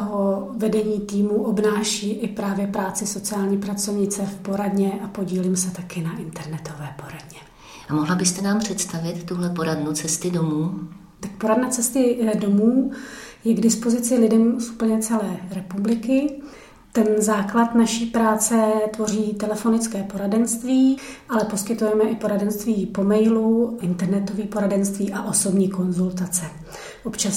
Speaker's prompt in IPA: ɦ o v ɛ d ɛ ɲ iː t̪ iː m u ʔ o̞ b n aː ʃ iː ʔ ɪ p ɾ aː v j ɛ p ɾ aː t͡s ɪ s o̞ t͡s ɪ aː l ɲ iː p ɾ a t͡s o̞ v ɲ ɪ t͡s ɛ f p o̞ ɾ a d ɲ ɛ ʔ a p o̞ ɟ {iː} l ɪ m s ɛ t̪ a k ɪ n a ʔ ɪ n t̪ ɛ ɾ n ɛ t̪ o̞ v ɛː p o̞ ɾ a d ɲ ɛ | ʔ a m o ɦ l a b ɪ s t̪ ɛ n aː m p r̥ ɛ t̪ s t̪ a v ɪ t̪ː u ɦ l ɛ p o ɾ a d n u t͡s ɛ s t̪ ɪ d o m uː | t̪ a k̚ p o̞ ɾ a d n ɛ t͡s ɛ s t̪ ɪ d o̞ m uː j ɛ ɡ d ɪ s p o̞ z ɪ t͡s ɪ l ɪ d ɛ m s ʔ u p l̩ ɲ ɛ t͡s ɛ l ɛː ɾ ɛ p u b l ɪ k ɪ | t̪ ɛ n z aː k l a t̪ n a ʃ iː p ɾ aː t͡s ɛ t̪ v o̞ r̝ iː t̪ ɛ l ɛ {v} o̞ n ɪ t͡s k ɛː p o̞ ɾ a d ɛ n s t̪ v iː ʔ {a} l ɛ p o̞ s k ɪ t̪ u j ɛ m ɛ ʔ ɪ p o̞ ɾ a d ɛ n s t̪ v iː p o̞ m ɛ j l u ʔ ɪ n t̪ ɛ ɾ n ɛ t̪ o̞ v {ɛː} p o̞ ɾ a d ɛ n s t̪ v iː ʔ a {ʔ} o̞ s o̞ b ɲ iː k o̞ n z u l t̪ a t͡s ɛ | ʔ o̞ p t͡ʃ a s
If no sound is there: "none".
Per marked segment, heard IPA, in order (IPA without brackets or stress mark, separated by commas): iː, f, a, iː, ʔ